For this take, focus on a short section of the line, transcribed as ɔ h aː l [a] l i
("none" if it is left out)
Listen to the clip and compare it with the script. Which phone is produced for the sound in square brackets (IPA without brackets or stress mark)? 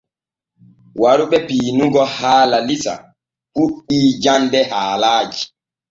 a